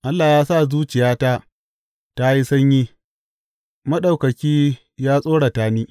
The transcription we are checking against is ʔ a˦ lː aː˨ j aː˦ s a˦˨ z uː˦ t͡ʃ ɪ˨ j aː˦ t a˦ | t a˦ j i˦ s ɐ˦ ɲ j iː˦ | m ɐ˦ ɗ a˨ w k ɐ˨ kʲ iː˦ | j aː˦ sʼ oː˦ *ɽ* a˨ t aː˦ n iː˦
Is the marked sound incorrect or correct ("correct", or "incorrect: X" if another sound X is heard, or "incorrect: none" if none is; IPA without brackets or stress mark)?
correct